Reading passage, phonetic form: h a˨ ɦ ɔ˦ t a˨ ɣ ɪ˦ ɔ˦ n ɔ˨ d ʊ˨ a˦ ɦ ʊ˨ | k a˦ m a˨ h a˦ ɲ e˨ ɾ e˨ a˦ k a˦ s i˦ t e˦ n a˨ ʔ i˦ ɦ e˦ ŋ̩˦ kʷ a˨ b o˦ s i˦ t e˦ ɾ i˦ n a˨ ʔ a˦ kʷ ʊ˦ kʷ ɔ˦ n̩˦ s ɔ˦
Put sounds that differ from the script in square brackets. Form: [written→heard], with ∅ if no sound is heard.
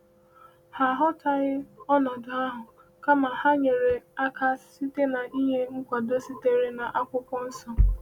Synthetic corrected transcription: h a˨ ɦ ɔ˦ t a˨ ɣ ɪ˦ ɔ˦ n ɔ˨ d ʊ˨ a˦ ɦ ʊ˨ | k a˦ m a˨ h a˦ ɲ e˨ ɾ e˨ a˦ k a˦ s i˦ t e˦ n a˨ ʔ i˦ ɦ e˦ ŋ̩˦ kʷ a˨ [b→d] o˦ s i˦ t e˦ ɾ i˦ n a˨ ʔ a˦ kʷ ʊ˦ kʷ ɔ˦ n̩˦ s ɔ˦